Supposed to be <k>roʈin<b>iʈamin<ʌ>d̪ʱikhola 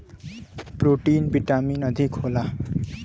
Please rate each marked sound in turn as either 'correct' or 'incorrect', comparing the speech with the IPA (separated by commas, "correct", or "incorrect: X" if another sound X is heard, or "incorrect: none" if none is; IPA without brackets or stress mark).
incorrect: p, correct, correct